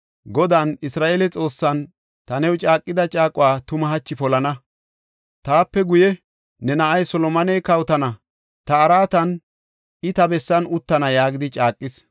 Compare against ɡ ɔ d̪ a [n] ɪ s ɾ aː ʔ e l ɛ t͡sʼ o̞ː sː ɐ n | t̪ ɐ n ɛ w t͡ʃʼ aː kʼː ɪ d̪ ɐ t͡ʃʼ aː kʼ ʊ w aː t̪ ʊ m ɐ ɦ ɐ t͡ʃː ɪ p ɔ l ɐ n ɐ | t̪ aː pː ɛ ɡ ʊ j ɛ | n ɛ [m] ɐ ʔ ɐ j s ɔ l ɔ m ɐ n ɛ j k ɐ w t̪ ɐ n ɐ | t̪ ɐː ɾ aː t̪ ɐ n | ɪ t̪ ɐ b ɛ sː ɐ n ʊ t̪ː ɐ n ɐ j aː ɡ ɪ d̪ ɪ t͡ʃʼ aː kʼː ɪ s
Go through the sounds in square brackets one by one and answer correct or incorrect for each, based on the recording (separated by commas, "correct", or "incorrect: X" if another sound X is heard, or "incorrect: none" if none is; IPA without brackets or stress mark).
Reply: correct, incorrect: n